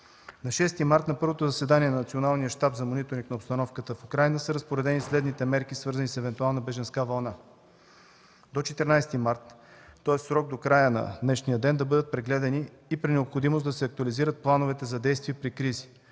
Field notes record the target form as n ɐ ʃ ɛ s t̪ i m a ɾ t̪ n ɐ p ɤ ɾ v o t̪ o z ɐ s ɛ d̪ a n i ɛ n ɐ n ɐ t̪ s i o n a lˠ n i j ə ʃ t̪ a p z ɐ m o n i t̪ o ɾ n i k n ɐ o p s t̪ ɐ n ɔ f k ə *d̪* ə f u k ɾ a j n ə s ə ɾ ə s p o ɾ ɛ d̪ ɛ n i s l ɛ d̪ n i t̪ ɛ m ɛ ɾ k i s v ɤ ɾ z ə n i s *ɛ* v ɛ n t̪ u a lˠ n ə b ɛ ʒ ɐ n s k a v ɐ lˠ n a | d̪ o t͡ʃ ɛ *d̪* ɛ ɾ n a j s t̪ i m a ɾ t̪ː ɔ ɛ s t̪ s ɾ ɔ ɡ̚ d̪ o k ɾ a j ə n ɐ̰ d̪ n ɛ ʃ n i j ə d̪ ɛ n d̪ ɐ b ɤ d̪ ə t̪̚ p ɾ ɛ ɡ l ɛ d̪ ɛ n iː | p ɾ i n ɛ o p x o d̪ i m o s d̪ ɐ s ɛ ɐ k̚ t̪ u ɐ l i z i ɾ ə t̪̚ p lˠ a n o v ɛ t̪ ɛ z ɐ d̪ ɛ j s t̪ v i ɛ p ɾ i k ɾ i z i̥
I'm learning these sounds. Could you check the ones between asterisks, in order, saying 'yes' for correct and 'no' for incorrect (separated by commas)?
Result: no, yes, no